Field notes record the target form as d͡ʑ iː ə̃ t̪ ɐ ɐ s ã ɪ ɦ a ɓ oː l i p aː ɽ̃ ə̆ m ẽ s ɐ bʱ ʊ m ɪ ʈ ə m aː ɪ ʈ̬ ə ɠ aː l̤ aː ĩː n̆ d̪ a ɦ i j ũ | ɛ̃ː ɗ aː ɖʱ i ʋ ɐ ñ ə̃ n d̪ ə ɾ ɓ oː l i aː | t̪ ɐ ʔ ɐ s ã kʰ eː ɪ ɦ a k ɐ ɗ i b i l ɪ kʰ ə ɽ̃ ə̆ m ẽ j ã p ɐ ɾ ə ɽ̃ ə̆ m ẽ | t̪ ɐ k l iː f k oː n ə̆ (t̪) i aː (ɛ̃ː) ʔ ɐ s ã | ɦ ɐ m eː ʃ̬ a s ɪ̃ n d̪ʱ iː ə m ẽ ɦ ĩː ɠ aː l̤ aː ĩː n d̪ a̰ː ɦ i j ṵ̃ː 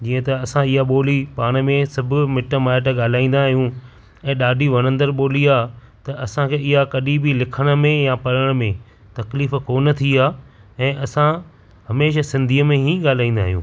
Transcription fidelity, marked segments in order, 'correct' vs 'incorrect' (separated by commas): incorrect, correct